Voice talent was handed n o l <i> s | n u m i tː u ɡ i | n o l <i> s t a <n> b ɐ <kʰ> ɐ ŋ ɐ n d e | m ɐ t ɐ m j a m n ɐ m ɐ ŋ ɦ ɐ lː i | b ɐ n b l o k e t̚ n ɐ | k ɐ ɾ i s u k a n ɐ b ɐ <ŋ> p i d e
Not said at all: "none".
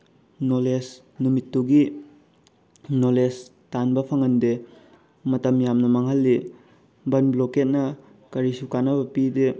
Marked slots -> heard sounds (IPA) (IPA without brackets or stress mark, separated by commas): e, e, n, pʰ, none